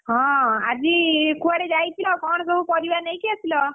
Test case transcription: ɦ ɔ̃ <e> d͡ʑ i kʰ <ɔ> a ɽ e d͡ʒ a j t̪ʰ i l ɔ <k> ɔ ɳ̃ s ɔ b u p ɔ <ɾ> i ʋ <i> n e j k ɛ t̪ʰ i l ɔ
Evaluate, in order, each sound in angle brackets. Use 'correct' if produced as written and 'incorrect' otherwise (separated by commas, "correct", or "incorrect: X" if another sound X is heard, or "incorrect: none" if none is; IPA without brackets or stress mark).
incorrect: a, incorrect: u, correct, correct, incorrect: a